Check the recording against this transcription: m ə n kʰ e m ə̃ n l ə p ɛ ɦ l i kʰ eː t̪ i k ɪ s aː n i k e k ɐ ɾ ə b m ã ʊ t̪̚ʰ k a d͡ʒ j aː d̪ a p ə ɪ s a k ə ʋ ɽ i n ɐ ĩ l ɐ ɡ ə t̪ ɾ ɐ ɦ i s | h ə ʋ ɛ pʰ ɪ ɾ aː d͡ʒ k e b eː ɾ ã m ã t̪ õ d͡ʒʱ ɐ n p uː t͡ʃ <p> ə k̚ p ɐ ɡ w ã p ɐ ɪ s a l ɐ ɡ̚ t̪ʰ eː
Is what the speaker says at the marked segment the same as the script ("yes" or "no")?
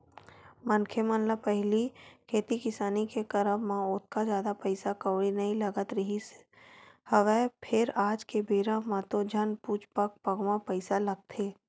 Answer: yes